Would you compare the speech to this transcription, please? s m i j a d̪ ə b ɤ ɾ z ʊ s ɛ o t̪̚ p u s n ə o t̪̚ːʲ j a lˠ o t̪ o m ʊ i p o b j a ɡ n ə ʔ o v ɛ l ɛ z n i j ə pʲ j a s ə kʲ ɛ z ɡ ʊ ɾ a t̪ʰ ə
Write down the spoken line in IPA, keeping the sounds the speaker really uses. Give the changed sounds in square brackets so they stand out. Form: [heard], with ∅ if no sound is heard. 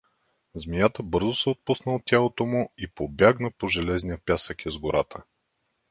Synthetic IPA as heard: [z] m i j a [t̪] ə b ɤ ɾ z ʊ s ɛ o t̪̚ p u s n ə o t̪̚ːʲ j a lˠ o t̪ o m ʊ i p o b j a ɡ n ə [p] o [ʒ] ɛ l ɛ z n i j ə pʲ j a s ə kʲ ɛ z ɡ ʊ ɾ a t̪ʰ ə